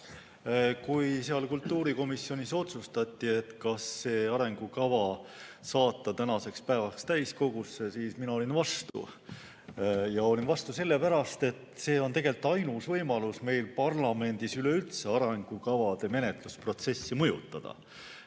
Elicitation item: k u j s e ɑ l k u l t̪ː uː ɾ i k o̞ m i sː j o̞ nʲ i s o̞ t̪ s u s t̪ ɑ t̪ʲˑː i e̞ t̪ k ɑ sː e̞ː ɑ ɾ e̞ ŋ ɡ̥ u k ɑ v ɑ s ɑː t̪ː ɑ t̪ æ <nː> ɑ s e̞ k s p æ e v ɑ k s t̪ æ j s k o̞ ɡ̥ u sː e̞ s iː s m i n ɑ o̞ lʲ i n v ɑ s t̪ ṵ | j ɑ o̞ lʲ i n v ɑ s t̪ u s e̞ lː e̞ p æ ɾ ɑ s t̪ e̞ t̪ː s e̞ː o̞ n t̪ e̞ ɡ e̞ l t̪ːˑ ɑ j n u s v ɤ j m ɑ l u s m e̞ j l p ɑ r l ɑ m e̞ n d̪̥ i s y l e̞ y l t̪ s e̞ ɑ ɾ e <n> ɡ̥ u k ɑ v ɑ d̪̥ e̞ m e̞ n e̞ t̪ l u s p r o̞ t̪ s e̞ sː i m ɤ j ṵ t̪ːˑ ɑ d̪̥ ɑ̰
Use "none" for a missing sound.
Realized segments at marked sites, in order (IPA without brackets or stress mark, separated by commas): n, ŋ